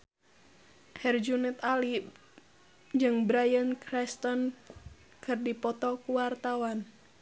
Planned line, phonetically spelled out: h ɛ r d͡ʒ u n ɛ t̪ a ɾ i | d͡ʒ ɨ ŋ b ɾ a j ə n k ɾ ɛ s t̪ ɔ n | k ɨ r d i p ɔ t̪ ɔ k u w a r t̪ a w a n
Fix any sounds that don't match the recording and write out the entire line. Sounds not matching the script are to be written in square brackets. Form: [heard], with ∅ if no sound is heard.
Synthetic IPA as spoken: h ɛ r d͡ʒ u n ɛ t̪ a [l] i | d͡ʒ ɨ ŋ b ɾ a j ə n k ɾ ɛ s t̪ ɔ n | k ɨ r d i p ɔ t̪ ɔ k u w a r t̪ a w a n